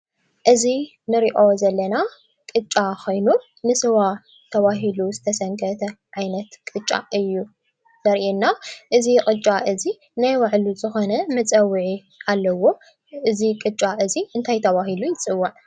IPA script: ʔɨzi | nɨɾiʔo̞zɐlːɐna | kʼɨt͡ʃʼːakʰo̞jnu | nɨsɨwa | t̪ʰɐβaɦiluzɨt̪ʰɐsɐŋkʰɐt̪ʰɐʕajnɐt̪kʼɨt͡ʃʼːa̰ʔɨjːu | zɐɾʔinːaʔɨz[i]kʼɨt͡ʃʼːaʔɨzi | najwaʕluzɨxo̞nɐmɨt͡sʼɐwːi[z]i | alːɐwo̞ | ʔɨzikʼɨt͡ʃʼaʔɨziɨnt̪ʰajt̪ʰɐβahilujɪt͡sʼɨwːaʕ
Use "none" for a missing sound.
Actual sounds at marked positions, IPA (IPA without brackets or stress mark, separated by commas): i, ʕ